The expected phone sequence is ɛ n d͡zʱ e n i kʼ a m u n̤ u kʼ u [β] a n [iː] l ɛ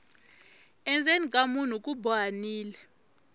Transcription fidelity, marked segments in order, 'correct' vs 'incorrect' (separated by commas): incorrect, correct